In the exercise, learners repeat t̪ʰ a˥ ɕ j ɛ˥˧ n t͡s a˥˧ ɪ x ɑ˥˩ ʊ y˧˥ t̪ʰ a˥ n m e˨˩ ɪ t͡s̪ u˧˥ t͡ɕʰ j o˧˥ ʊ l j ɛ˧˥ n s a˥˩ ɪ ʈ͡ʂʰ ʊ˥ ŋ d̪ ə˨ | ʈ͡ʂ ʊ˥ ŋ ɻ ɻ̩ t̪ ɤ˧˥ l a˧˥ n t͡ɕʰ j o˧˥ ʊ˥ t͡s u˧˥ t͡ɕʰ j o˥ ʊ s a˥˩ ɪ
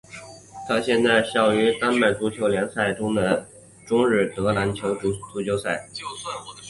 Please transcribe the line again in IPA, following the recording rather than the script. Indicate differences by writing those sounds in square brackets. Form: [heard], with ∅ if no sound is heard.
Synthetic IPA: t̪ʰ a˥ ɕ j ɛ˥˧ n t͡s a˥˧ ɪ [ɕ] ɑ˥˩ ʊ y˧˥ [t̪] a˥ n m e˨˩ ɪ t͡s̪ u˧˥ t͡ɕʰ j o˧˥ ʊ l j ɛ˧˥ n s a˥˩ ɪ [ʈ͡ʂ] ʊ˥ ŋ d̪ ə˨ | ʈ͡ʂ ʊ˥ ŋ ɻ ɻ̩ t̪ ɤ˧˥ l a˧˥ n t͡ɕʰ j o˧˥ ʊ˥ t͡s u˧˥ [t͡ɕ] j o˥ ʊ s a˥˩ ɪ